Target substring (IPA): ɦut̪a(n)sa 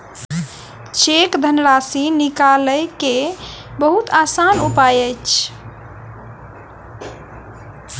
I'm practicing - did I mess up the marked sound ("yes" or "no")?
yes